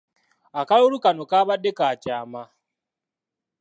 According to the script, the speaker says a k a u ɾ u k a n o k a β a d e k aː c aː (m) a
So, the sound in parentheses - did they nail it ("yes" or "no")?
yes